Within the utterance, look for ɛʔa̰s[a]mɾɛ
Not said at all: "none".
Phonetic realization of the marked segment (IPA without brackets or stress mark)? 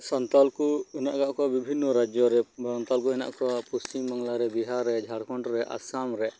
a